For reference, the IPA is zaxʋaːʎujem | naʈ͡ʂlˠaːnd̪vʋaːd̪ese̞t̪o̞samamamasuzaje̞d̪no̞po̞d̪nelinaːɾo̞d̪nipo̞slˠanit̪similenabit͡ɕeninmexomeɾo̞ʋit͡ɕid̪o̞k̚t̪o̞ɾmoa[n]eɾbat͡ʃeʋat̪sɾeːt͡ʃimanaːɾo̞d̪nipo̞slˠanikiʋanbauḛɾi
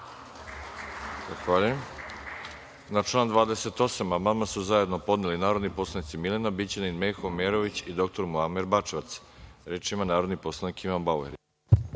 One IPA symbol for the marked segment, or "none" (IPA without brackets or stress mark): m